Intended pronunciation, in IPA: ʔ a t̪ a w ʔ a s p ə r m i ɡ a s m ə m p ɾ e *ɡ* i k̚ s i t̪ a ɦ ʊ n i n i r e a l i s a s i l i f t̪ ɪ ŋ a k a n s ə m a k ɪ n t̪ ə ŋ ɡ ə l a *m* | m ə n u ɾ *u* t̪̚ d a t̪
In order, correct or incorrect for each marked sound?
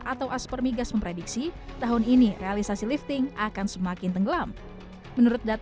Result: incorrect: d, correct, incorrect: ʊ

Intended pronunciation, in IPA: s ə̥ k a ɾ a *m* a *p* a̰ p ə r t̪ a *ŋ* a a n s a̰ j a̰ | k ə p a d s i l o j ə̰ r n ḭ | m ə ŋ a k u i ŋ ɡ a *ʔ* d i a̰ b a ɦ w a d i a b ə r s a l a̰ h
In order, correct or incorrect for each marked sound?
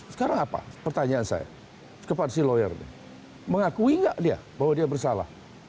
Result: incorrect: ŋ, correct, incorrect: ɲ, correct

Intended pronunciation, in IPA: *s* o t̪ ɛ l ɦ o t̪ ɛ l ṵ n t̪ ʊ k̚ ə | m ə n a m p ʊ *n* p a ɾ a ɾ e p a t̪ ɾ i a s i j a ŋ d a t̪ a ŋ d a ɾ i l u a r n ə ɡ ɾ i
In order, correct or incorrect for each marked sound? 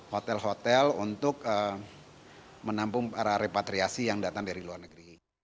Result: incorrect: h, incorrect: ŋ

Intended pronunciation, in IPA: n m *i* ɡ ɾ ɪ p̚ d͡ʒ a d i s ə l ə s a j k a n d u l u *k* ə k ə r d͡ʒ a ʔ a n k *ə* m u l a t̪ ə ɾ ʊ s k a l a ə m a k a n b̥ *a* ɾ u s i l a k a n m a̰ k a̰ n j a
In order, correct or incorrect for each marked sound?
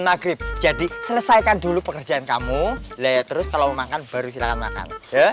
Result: incorrect: a, incorrect: p, incorrect: a, correct

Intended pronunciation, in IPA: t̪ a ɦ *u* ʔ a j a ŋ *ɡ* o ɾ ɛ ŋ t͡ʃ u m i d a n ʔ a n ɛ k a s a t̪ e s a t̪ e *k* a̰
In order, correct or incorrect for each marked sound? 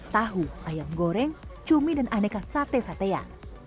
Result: correct, correct, incorrect: none

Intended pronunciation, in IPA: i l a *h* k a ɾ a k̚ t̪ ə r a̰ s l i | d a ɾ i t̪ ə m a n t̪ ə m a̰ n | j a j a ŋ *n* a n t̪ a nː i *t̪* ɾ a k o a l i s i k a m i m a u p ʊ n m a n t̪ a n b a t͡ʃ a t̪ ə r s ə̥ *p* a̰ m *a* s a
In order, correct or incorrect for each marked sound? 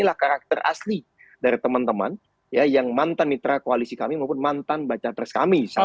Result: correct, incorrect: m, correct, incorrect: k, incorrect: i

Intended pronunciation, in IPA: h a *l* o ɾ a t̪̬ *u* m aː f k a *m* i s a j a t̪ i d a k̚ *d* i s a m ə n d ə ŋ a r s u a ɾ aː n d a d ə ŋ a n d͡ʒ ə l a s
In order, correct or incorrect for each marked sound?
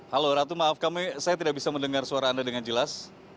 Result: correct, correct, correct, incorrect: b

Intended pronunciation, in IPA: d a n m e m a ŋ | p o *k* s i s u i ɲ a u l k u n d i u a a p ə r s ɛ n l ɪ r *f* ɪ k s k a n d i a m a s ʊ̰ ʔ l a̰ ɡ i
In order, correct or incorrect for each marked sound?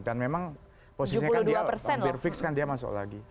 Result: incorrect: none, correct

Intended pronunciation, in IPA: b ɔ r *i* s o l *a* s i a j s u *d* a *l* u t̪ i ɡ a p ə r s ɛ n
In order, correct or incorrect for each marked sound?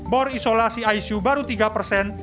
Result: correct, correct, incorrect: b, incorrect: ɾ

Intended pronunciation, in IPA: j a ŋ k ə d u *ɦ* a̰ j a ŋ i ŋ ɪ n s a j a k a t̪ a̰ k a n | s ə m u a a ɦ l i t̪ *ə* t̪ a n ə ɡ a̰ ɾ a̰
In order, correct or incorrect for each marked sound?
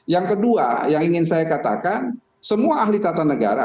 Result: incorrect: none, incorrect: a

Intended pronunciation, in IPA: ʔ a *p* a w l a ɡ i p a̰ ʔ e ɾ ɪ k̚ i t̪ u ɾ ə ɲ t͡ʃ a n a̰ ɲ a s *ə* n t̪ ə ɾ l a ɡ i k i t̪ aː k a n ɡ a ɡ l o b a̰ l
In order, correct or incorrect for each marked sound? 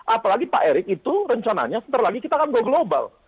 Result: correct, correct

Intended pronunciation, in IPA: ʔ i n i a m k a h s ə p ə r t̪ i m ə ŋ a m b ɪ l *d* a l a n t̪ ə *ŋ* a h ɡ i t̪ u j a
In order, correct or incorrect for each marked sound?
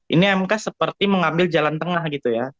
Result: incorrect: d͡ʒ, correct

